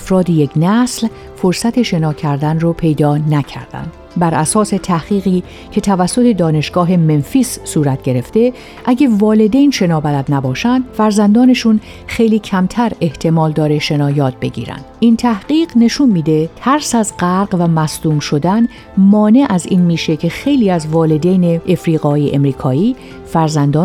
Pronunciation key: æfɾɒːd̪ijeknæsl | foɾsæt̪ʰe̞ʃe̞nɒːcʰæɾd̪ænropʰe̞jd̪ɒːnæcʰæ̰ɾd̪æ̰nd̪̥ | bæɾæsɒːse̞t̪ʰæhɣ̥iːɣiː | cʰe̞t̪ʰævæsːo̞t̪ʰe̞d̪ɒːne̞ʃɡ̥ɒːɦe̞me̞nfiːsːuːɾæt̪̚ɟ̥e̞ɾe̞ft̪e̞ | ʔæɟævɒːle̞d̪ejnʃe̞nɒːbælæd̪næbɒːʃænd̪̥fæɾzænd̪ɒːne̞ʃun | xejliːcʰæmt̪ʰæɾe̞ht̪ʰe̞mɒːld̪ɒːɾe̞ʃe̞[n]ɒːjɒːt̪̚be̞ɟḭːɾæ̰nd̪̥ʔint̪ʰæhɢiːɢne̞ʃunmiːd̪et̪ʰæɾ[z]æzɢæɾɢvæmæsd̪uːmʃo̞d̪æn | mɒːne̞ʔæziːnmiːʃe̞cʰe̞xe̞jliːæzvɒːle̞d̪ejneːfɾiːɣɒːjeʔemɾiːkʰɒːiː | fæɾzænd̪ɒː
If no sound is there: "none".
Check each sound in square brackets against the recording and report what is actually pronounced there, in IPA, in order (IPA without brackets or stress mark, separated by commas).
n, s